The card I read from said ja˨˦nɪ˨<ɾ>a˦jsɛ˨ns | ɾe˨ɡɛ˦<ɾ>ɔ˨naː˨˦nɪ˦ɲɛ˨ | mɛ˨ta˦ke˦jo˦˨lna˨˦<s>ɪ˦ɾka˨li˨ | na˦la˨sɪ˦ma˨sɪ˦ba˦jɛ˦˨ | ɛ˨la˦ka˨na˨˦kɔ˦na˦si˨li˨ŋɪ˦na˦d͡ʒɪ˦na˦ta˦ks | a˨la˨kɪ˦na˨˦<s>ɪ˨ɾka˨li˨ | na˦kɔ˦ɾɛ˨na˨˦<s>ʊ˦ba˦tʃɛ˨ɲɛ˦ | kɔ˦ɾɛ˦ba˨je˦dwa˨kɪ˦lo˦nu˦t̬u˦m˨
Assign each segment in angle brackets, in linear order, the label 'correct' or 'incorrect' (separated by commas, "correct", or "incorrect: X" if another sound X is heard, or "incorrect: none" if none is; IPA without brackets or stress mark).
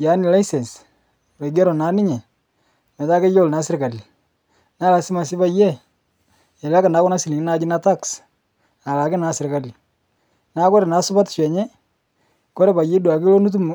incorrect: l, correct, correct, correct, correct